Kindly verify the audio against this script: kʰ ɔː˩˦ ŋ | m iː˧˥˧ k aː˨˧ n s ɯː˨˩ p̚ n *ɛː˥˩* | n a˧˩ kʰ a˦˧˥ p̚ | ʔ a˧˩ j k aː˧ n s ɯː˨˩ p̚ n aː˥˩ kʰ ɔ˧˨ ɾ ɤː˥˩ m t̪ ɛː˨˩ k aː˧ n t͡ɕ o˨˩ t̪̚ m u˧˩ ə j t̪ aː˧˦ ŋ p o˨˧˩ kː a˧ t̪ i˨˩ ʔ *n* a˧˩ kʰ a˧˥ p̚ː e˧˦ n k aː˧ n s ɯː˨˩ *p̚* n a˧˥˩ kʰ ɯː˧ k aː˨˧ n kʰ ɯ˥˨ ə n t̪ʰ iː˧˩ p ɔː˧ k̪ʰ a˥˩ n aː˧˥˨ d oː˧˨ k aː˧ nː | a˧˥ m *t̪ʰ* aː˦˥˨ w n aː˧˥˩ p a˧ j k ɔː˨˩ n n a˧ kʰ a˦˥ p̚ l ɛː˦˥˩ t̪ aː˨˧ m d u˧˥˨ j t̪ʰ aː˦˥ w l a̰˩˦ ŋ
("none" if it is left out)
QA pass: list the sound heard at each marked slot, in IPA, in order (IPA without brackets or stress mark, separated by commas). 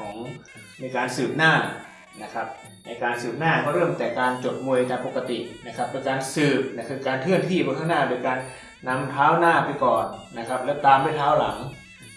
aː˥˩, n, p̚, t̪ʰ